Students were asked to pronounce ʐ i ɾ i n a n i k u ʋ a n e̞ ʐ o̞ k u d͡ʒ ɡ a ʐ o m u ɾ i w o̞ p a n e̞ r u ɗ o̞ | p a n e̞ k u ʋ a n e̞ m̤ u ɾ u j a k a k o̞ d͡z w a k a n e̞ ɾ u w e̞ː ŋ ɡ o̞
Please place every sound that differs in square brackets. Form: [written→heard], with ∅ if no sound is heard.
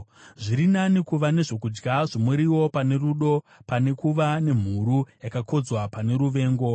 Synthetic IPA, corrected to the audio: ʐ i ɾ i n a n i k u ʋ a n e̞ ʐ o̞ k u d͡ʒ ɡ a ʐ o m u ɾ i w o̞ p a n e̞ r u ɗ o̞ | p a n e̞ k u ʋ a n e̞ m̤ u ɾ u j a k a k o̞ d͡z w a [k→p] a n e̞ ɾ u [w→ʋ] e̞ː ŋ ɡ o̞